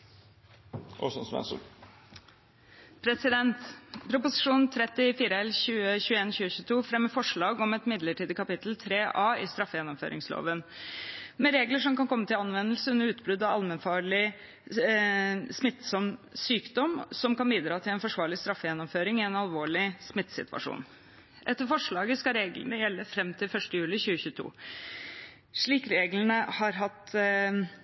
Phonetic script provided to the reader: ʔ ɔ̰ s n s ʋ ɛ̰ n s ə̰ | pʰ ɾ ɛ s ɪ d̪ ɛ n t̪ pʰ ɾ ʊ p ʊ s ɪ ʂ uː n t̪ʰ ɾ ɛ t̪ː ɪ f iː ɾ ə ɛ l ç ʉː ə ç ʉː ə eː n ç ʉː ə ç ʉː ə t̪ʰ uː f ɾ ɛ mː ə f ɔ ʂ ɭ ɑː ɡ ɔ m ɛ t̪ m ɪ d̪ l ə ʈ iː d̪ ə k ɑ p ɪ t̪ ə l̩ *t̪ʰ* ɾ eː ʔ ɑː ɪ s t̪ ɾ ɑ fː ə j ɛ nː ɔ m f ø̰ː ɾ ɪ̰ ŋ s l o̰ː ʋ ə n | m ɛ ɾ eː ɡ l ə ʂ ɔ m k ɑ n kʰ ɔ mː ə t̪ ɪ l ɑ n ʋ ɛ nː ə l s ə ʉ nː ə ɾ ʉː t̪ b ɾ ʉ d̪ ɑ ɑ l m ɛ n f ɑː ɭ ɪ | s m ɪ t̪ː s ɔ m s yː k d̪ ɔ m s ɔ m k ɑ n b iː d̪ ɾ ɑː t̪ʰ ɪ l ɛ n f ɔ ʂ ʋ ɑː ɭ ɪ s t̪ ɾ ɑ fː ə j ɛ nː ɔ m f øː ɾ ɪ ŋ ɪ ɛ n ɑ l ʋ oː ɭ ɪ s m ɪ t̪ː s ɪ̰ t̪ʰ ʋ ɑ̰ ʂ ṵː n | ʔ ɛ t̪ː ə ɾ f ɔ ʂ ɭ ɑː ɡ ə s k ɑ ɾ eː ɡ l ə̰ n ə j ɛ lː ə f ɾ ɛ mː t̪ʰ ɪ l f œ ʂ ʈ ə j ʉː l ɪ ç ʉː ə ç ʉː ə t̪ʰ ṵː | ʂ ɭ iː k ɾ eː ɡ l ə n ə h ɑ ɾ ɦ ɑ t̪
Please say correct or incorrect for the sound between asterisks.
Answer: correct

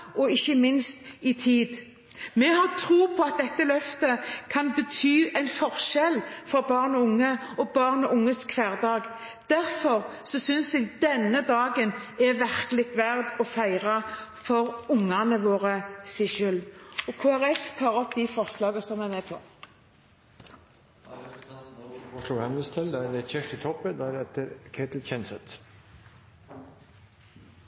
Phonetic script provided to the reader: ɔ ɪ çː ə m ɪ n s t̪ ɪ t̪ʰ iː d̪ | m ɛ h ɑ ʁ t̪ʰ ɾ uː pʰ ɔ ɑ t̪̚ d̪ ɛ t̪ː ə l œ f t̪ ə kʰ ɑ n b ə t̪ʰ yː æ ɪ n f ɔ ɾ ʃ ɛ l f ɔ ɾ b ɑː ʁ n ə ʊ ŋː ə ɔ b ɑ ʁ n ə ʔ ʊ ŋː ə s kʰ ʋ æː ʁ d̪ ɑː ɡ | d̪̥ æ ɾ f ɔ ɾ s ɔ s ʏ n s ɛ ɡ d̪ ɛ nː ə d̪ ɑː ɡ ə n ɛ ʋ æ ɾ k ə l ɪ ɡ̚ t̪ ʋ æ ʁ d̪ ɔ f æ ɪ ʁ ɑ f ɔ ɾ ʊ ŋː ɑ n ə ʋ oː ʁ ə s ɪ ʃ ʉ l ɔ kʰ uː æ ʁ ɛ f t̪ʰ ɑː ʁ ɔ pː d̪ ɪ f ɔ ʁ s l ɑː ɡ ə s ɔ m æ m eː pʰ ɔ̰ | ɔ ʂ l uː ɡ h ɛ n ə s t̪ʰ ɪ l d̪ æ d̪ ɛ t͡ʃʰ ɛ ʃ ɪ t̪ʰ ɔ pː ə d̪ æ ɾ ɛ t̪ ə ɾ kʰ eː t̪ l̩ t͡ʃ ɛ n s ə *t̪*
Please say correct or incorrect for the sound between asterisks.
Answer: correct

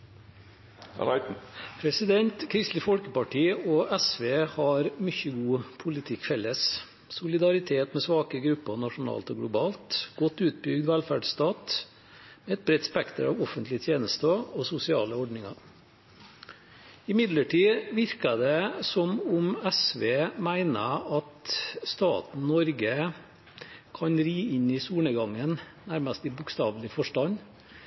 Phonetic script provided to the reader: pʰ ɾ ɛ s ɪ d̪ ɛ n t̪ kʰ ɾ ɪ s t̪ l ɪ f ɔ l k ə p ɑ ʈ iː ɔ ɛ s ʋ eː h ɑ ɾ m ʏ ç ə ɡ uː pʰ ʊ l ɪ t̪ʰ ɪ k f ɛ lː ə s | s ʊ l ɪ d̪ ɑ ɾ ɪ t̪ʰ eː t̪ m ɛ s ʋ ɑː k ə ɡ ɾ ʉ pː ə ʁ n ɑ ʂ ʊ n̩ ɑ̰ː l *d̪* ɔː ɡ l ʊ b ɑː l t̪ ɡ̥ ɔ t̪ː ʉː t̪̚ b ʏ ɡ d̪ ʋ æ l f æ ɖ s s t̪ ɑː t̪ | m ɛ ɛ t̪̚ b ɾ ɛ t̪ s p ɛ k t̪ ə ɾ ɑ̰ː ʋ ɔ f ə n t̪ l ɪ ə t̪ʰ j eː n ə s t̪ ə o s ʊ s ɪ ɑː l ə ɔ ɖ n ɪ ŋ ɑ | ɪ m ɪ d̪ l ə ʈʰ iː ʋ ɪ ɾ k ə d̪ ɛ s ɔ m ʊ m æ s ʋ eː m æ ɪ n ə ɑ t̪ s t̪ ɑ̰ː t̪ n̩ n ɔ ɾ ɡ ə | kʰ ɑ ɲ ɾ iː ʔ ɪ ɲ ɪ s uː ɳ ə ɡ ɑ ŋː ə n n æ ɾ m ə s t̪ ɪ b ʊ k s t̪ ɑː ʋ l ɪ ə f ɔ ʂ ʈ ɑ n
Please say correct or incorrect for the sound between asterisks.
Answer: incorrect: t̪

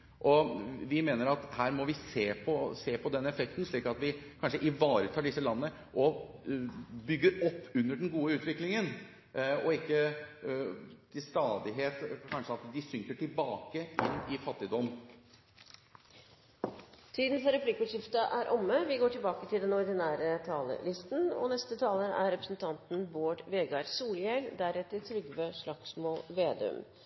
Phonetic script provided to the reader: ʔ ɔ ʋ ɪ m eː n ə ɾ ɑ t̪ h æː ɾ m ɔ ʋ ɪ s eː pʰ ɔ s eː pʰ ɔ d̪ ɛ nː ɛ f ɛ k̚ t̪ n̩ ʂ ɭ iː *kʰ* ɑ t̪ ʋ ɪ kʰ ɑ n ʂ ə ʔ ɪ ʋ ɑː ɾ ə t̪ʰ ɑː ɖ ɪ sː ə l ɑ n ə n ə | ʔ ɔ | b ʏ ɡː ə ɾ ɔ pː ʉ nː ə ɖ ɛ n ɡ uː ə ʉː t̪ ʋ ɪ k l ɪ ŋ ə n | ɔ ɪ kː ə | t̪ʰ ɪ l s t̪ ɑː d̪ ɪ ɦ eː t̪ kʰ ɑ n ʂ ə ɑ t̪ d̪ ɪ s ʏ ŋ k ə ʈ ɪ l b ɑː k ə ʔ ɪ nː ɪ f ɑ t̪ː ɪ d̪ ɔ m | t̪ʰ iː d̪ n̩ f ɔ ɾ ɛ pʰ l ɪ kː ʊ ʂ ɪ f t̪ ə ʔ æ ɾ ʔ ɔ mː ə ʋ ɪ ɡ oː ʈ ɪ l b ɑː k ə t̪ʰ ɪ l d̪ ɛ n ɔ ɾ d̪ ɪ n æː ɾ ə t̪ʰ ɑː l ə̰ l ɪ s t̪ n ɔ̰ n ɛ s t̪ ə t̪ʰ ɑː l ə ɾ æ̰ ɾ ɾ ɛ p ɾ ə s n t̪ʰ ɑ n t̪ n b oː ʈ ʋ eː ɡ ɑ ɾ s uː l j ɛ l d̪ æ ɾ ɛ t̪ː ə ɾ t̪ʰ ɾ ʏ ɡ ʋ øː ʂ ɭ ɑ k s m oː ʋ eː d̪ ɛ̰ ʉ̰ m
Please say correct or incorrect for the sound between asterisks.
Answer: incorrect: k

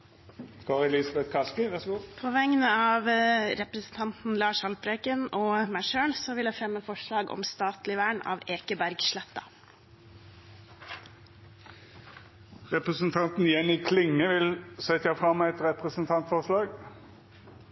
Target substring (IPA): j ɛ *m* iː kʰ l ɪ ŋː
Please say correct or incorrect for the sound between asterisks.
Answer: incorrect: n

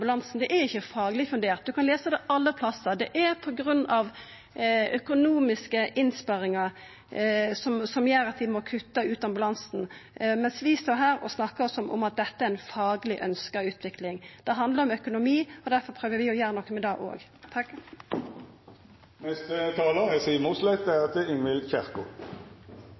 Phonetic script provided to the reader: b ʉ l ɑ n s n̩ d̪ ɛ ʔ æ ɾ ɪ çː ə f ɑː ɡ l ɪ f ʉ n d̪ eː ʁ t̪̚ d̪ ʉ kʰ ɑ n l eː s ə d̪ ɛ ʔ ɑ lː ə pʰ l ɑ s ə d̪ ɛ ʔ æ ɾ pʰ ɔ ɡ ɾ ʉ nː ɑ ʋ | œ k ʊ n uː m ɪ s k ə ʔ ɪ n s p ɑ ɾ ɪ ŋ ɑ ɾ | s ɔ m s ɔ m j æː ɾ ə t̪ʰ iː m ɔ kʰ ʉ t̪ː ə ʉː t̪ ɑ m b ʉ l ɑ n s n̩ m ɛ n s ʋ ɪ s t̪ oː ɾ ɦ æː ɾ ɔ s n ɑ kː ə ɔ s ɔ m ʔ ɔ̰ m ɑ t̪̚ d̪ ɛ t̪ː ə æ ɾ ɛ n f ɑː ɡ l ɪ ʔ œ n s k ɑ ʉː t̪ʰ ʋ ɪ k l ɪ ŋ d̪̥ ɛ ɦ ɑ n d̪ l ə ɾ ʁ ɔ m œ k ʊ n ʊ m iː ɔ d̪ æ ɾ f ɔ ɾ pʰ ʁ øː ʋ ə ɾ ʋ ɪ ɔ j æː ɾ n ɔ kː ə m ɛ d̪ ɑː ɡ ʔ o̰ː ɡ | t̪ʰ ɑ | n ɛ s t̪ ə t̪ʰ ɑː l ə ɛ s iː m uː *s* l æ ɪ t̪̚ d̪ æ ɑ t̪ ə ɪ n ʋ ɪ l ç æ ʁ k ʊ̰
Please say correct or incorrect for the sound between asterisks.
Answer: correct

